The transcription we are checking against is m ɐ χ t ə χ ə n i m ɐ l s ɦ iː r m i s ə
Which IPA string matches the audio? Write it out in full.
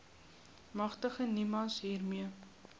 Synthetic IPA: m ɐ χ t ə χ ə n i m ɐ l s ɦ iː r m i ə

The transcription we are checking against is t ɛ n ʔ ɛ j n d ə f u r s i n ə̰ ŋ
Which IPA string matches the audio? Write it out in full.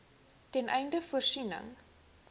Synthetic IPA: t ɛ n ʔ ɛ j n d ə f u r s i n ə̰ ŋ

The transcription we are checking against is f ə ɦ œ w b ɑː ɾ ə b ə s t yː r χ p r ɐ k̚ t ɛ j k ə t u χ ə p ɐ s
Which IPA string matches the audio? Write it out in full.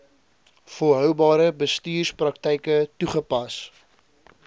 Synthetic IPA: f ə ɦ œ w b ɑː ɾ ə b ə s t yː r s p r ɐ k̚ t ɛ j k ə t u χ ə p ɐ s

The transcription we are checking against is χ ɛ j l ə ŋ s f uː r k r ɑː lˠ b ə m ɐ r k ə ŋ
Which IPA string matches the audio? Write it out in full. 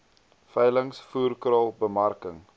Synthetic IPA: f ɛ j l ə ŋ s f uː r k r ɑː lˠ b ə m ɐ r k ə ŋ

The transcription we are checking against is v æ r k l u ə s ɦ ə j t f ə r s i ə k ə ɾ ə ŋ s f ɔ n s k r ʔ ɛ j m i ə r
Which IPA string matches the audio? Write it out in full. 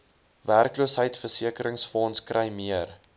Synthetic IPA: v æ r k l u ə s ɦ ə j t f ə r s i ə k ə ɾ ə ŋ s f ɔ n s k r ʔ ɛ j m i ə r

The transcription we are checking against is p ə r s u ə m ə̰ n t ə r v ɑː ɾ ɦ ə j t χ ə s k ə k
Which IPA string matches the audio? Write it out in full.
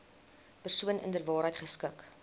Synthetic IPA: p ə r s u ə n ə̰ n d ə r v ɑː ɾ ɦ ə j t χ ə s k ə k

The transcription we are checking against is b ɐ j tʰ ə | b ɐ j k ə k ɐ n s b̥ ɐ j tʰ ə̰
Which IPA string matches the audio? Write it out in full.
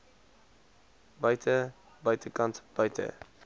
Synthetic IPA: b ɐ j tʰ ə | b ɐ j t ə k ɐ n t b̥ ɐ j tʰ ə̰

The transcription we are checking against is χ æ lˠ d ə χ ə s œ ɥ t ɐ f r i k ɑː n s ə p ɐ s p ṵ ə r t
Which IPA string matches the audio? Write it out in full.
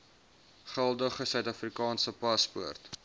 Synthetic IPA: χ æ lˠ d ə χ ə s œ ɥ t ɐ f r i k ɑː n s ə p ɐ s p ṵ ə r t

